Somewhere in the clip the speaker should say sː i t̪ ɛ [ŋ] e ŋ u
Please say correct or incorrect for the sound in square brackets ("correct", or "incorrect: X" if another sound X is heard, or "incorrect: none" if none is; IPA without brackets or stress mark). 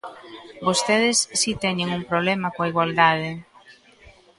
incorrect: ɲ